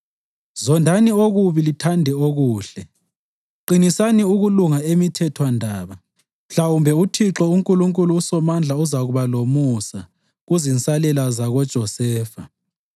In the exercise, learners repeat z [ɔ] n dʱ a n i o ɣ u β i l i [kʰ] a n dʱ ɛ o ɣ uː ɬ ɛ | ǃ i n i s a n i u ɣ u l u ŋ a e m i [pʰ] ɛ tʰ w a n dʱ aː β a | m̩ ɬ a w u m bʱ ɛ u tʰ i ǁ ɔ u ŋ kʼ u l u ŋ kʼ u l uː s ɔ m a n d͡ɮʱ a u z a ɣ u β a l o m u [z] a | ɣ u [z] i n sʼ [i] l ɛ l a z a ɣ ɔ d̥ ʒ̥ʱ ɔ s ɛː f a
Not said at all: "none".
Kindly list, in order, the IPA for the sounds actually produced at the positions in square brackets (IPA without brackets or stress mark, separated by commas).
ɔ, tʰ, tʰ, s, z, a